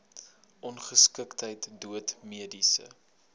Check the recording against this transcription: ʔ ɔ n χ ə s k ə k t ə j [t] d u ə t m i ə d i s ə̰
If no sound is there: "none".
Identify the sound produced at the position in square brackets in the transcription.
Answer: t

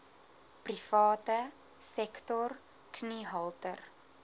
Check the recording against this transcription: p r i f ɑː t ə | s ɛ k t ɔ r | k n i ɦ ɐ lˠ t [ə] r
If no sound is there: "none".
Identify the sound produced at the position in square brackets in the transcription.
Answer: ə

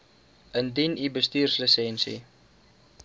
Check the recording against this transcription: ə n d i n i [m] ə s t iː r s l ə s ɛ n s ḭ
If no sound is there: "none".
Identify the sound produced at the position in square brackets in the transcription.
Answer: b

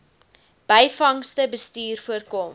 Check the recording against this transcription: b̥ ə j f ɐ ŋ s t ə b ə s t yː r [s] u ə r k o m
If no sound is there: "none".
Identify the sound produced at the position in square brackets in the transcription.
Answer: f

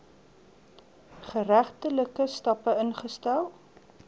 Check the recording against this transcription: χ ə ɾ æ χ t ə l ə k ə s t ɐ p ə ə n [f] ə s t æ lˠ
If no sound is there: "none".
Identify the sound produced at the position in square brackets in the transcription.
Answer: χ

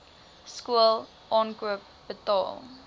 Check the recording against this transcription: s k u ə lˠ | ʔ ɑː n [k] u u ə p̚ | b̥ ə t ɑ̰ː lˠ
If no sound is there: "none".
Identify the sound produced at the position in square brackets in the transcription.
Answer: k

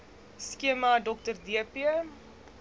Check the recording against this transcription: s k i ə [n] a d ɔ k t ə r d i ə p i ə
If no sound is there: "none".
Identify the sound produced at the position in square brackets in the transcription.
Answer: m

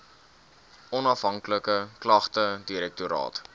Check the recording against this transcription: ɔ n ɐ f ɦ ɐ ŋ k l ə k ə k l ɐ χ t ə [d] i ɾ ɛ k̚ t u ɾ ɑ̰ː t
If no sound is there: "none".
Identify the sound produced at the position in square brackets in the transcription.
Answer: d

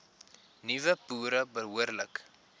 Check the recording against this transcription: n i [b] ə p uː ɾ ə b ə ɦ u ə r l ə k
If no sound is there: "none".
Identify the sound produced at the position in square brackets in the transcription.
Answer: v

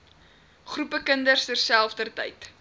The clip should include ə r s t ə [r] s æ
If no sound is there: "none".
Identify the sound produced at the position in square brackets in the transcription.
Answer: r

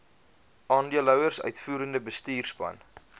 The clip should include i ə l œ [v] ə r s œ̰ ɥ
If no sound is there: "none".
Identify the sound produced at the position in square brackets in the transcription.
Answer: w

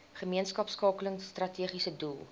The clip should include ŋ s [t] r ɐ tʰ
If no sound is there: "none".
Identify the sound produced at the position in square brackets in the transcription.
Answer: t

